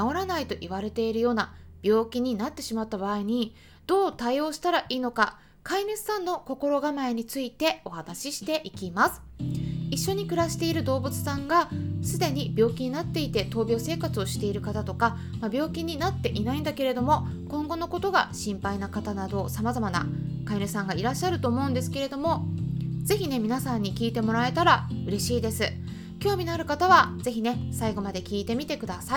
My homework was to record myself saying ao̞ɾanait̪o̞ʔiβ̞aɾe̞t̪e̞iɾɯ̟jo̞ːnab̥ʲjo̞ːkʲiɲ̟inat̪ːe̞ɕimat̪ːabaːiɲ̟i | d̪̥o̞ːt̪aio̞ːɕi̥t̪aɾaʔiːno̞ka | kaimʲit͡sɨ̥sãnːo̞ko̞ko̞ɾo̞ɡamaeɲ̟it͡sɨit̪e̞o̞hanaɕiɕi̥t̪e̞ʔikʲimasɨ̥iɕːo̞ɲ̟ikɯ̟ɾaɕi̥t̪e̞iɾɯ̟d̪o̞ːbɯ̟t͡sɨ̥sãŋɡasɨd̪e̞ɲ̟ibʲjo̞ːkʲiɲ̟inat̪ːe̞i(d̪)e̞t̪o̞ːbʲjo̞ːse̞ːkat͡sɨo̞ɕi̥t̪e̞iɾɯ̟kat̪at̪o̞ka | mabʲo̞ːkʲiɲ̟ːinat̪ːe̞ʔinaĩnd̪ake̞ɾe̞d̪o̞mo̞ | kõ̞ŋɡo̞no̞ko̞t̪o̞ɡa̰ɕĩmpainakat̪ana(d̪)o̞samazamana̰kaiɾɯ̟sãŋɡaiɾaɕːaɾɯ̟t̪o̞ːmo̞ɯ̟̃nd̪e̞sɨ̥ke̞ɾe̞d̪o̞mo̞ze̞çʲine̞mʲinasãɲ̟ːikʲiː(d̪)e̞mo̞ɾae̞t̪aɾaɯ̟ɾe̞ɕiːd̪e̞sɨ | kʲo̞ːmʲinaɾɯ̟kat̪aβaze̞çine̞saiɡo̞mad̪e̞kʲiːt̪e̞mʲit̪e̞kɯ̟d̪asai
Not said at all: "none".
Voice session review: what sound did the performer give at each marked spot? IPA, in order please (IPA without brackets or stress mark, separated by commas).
t̪, d̪, t̪